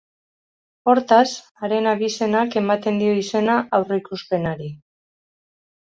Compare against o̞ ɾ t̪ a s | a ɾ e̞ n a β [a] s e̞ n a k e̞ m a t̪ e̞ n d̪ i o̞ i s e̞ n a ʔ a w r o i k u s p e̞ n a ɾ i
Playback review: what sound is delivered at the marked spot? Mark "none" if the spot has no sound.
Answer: i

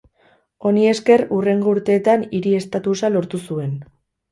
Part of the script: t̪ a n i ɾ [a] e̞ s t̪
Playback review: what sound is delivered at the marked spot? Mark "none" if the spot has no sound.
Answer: i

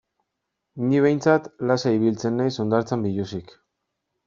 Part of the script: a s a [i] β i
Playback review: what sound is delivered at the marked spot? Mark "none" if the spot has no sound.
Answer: i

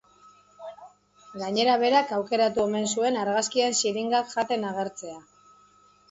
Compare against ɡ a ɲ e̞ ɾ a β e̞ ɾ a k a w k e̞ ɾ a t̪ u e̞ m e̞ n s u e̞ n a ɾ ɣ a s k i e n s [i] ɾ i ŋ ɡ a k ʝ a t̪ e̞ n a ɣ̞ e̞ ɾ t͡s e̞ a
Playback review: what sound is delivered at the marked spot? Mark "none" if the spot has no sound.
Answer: i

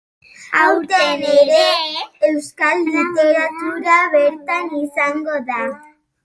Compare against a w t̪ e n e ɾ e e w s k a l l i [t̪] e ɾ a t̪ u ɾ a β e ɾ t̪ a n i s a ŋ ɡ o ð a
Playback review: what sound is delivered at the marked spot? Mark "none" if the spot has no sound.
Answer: t̪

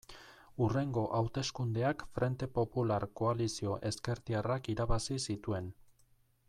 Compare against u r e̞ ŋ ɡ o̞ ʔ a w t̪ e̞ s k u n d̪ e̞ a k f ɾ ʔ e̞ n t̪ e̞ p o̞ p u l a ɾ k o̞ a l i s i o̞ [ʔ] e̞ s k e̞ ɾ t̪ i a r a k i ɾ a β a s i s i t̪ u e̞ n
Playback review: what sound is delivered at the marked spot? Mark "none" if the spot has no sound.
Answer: ʔ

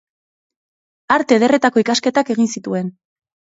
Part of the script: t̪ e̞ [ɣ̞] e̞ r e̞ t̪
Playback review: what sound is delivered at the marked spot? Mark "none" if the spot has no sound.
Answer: ð̞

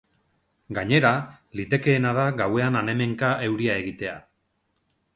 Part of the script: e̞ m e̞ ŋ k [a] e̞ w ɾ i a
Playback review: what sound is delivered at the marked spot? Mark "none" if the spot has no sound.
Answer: a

